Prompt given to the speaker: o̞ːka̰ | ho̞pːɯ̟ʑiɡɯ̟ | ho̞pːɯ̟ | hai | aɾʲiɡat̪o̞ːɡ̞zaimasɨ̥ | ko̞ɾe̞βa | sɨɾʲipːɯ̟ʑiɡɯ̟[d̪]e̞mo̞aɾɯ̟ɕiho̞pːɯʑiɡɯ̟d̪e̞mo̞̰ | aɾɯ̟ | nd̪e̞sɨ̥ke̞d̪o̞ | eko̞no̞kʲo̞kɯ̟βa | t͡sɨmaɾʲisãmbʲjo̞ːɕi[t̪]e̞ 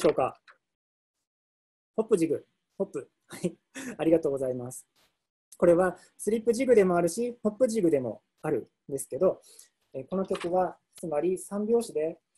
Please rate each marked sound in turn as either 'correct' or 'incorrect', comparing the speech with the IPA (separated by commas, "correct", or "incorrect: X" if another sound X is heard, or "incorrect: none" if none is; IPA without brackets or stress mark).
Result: correct, incorrect: d̪